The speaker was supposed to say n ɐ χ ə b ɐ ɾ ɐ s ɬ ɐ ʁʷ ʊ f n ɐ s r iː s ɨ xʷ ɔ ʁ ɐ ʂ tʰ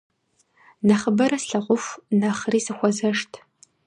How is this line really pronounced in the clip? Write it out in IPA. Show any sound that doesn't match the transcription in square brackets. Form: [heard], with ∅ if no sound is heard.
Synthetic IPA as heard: n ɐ χ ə b ɐ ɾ ɐ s ɬ ɐ ʁʷ ʊ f n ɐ [χ] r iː s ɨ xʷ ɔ [z] ɐ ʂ tʰ